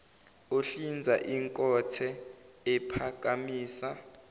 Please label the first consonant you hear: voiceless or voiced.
voiceless